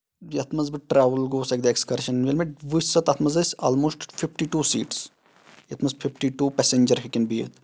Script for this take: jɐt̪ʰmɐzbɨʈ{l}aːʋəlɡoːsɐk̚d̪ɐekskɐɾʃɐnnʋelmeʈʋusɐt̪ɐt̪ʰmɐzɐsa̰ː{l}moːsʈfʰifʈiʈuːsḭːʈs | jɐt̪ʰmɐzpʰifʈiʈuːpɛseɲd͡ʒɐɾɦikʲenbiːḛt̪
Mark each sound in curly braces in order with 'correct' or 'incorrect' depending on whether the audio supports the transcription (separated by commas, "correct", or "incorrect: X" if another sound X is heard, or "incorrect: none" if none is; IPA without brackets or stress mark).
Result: incorrect: ɾ, correct